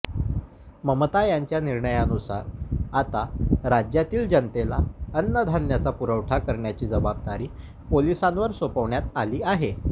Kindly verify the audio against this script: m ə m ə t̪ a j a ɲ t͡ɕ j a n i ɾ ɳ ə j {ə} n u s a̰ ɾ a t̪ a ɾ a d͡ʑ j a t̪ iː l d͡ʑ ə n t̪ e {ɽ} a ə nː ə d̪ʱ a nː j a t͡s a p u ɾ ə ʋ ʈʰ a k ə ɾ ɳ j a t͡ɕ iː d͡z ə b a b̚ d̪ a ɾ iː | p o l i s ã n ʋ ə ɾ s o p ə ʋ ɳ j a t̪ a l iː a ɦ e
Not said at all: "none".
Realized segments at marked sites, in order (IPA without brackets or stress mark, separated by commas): a, l